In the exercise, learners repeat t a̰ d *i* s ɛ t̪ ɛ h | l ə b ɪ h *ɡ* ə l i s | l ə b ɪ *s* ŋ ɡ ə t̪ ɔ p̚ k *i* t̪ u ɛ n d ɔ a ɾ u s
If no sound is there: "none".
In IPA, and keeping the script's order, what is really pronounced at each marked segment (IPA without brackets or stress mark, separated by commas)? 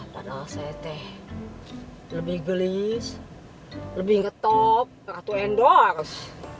a, ɡ, h, a